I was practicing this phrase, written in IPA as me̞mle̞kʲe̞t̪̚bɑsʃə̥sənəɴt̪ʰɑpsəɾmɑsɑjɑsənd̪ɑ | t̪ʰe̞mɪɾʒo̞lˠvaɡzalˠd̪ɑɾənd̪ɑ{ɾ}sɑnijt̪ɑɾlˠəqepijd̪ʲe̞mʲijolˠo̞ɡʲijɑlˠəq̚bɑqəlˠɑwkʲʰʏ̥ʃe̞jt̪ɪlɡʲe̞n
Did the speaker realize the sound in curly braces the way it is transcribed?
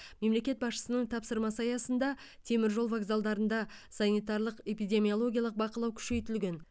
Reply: no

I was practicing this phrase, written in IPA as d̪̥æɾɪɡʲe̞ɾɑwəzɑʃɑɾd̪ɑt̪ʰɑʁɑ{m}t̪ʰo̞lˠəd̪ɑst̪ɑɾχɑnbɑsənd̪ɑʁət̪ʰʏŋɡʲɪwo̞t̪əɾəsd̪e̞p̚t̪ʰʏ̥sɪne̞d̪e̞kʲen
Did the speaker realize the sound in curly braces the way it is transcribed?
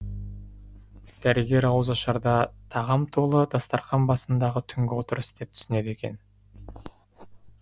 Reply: yes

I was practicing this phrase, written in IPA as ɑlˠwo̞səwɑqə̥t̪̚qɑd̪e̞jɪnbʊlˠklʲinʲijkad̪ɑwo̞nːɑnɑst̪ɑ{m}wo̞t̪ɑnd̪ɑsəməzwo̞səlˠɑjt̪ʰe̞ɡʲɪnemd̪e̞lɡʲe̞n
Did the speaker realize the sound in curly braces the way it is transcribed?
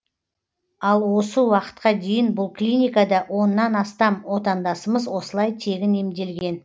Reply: yes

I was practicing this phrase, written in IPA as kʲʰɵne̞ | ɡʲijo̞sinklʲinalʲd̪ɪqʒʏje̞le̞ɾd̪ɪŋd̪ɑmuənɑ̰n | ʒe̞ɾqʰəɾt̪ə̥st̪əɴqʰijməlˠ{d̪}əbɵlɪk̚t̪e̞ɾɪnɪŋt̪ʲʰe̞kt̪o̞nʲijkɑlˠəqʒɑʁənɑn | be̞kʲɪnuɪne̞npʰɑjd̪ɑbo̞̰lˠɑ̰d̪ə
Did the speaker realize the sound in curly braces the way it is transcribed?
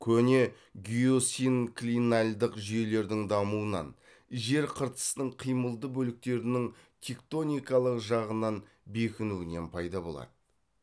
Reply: yes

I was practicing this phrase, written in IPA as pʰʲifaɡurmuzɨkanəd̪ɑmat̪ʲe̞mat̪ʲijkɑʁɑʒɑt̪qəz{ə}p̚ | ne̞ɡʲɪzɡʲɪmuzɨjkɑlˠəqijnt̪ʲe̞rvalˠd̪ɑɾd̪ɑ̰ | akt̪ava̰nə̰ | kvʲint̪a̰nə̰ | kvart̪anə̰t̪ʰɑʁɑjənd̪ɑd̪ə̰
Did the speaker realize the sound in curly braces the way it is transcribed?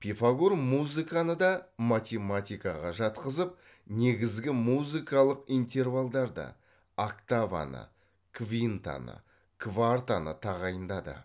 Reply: yes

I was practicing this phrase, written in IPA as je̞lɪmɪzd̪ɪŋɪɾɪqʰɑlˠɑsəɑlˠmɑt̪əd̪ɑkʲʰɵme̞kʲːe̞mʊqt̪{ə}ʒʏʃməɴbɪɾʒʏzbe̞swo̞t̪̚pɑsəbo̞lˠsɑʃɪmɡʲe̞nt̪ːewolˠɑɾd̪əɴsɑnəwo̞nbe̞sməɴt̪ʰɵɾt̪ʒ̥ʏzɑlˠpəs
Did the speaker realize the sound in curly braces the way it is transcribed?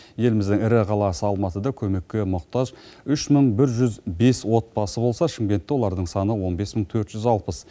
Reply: no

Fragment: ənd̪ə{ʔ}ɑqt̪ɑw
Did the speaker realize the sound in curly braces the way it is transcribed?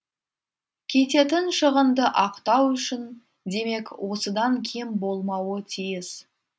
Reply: yes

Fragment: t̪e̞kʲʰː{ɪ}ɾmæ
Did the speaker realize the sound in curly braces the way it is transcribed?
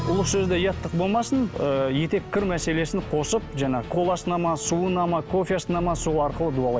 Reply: yes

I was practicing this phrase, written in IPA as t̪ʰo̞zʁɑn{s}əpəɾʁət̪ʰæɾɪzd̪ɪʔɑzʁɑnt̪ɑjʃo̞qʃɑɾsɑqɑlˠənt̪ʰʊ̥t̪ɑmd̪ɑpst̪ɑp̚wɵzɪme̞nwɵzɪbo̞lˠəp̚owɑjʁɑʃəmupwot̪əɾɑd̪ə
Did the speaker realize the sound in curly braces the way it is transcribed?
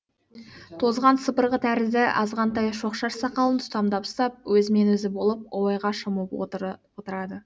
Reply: yes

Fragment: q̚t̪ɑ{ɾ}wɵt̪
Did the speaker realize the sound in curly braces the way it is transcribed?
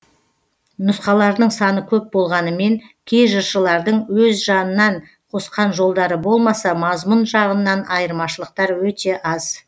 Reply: yes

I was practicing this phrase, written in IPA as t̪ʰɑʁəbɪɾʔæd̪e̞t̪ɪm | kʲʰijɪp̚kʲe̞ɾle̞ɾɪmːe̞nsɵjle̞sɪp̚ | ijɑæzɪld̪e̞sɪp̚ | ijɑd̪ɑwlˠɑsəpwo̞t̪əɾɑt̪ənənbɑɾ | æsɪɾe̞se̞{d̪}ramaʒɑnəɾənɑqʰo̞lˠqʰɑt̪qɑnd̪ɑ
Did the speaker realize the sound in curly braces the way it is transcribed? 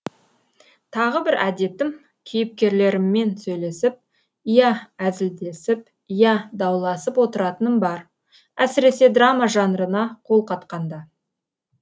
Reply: yes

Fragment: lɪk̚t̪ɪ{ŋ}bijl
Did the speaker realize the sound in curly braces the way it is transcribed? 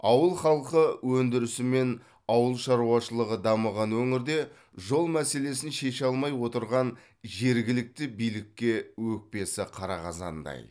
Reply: no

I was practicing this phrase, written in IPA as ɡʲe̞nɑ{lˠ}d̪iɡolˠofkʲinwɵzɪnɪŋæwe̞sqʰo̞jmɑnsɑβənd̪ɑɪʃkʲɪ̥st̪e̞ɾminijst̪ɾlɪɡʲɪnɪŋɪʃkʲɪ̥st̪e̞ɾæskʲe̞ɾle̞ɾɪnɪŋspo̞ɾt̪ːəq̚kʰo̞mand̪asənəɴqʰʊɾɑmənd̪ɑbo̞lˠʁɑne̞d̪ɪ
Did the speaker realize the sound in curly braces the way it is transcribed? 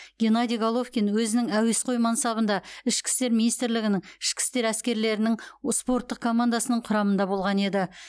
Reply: no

